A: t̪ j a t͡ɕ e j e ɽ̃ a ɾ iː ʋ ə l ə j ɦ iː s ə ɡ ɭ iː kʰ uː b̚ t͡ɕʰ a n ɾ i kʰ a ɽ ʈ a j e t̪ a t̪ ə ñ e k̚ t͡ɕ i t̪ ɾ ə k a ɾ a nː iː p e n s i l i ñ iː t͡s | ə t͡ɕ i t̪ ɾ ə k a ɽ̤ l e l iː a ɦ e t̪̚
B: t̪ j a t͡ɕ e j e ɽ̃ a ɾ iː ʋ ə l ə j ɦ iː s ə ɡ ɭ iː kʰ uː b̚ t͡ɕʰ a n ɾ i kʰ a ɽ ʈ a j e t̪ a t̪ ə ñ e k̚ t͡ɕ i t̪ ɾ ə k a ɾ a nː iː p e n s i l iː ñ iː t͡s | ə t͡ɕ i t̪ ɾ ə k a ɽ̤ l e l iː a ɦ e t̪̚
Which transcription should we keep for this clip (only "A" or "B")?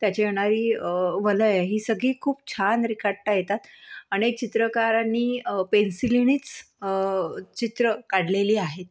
A